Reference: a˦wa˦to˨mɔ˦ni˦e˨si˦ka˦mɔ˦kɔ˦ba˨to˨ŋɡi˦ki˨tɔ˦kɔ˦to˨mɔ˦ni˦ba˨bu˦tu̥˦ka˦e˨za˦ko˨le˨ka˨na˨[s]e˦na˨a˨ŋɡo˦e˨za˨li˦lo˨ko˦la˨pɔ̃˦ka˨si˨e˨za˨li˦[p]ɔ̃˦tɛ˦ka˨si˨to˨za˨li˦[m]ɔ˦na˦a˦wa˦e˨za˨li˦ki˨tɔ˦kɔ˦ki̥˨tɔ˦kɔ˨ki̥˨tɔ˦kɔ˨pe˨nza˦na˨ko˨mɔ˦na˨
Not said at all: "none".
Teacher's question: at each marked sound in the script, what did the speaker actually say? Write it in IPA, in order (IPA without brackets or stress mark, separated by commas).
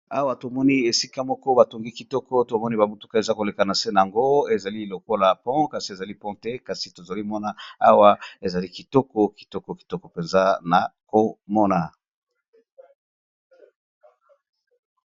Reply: s, p, m